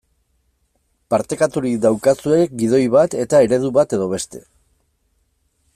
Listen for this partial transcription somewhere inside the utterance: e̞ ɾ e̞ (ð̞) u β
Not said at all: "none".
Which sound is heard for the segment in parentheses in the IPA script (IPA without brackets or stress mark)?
ð̞